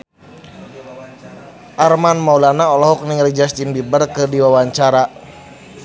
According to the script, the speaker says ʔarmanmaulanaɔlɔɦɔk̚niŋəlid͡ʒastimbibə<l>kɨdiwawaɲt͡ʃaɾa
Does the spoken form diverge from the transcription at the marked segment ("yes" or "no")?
yes